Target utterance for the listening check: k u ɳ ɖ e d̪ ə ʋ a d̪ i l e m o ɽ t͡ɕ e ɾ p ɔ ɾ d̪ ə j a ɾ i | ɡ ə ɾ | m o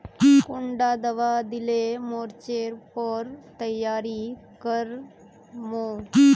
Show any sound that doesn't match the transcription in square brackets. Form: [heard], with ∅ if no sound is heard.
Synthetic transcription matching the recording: k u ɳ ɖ [a] d̪ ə ʋ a d̪ i l e m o [ɾ] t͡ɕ e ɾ p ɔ ɾ [t̪] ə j a ɾ i | [k] ə ɾ | m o